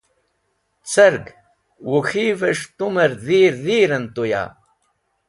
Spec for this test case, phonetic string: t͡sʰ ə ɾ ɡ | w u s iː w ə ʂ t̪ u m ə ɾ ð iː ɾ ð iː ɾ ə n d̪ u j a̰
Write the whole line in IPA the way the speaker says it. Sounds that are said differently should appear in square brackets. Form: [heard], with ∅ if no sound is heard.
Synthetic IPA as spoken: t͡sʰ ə ɾ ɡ | w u [x] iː [v] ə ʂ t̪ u m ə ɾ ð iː ɾ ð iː ɾ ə n [t̪] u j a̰